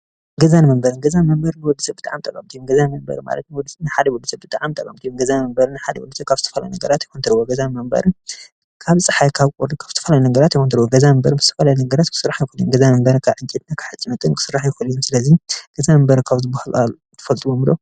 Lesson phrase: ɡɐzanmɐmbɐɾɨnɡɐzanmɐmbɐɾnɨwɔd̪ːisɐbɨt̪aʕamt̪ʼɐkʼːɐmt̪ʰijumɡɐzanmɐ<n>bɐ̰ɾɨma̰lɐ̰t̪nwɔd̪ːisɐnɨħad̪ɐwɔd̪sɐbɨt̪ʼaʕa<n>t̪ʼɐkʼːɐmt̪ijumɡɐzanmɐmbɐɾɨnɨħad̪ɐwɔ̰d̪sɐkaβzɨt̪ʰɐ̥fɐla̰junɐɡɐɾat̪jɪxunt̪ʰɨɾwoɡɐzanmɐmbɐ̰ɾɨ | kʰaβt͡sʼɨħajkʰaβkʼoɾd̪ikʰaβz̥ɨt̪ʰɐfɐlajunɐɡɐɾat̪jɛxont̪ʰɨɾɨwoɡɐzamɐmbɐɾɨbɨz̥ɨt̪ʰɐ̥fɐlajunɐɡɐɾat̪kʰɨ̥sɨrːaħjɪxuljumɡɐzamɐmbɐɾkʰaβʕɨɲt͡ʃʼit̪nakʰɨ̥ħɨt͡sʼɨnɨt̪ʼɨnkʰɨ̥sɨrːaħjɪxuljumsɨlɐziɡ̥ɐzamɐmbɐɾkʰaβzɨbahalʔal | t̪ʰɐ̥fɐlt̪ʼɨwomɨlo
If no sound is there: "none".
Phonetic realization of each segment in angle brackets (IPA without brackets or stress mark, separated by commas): m, m